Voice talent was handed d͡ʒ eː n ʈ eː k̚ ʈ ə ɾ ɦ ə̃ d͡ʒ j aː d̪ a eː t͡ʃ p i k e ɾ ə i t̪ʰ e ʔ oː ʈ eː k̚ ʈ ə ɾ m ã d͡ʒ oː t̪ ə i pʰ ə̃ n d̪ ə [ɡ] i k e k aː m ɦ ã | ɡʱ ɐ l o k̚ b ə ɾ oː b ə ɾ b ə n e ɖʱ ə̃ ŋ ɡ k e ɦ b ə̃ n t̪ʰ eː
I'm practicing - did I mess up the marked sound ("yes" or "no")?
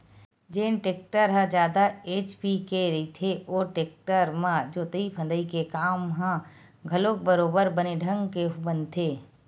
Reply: yes